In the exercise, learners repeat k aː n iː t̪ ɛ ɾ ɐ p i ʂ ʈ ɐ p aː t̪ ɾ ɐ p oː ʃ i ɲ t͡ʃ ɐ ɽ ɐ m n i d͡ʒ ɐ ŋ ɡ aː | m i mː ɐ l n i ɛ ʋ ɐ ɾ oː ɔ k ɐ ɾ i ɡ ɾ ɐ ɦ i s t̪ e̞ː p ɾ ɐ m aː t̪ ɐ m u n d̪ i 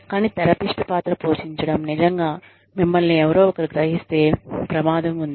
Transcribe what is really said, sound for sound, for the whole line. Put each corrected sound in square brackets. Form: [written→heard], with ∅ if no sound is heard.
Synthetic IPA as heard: k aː n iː t̪ ɛ ɾ ɐ p i ʂ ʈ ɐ p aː t̪ ɾ ɐ p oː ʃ i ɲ t͡ʃ ɐ ɽ ɐ m n i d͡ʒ ɐ ŋ ɡ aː | m i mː ɐ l n i ɛ ʋ ɐ ɾ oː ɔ k ɐ ɾ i ɡ ɾ ɐ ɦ i s t̪ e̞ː p ɾ ɐ m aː [t̪→d̪] ɐ m u n d̪ i

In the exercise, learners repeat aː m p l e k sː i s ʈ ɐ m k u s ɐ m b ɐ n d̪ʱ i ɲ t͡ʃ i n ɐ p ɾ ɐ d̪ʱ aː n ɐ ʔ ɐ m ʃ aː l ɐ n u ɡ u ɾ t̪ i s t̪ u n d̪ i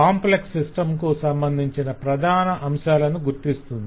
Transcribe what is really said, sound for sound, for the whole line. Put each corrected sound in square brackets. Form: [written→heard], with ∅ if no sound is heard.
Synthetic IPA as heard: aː m p l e k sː i s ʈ ɐ m k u s ɐ m b ɐ n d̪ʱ i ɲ t͡ʃ i n ɐ p ɾ ɐ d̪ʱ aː n ɐ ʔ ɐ m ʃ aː l ɐ n u ɡ u ɾ t̪ i s t̪ u n d̪ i

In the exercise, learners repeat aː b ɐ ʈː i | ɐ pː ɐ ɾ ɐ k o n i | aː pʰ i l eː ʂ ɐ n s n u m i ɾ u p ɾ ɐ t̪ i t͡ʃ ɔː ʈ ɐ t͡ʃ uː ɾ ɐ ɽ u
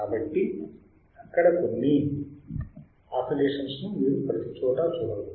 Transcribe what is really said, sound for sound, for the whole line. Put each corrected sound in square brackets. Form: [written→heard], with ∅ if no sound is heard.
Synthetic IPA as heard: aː b ɐ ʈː i | ɐ [pː→kː] ɐ [ɾ→ɽ] ɐ k o [n→nː] i | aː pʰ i l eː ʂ ɐ n s n u m [i→iː] ɾ u p ɾ ɐ t̪ i t͡ʃ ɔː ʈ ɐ t͡ʃ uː [ɾ→ɽ] ɐ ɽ u

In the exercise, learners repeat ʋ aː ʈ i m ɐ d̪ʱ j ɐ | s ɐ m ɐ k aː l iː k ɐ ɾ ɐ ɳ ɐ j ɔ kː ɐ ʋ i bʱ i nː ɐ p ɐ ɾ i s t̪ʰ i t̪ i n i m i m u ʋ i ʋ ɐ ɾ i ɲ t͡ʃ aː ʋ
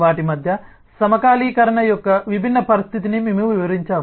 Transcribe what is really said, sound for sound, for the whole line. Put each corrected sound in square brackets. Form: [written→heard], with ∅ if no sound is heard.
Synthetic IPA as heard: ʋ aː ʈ i m ɐ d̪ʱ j ɐ | s ɐ m ɐ k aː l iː k ɐ ɾ ɐ ɳ ɐ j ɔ kː ɐ ʋ i bʱ i nː ɐ p ɐ ɾ i s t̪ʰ i t̪ i n i m i m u ʋ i ʋ ɐ ɾ i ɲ t͡ʃ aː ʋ

